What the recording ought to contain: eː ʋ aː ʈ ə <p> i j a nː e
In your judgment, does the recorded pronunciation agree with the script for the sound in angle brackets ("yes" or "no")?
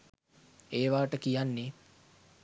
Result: no